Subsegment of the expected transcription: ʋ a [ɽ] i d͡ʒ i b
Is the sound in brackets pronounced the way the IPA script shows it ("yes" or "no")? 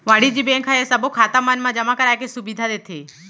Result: yes